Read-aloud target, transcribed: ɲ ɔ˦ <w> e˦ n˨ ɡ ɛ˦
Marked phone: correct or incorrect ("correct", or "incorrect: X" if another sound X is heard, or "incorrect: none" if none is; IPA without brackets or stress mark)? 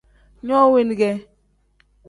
correct